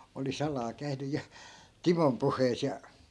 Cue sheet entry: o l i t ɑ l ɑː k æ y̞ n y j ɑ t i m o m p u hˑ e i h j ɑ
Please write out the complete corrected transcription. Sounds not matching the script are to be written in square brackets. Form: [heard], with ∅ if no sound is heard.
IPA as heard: o l i [s] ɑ l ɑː k æ y̞ n y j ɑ t i m o m p u hˑ e i [s] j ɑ